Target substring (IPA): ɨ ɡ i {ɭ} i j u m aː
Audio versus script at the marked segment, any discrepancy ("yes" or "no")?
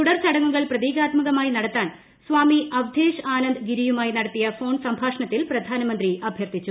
yes